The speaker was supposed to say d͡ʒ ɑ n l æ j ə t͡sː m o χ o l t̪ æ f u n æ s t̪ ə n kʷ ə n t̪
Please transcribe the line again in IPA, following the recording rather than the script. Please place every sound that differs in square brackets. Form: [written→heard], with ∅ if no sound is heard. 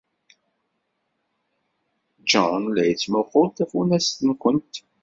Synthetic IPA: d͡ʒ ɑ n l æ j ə t͡sː m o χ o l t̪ æ f u n æ s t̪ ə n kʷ ə n t̪